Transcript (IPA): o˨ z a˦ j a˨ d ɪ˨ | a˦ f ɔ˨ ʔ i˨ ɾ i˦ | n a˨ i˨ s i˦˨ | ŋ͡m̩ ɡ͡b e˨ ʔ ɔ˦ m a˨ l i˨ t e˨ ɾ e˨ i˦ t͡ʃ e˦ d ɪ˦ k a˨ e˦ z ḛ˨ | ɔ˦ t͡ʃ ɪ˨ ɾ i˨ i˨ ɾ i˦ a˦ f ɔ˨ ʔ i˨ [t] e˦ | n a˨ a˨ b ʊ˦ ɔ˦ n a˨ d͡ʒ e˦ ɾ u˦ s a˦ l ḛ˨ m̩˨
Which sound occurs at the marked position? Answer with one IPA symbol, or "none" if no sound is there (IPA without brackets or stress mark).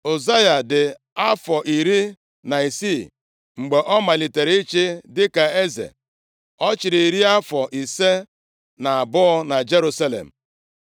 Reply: s